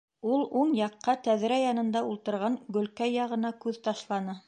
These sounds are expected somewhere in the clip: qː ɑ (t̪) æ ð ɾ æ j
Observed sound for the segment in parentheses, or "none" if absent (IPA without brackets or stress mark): t̪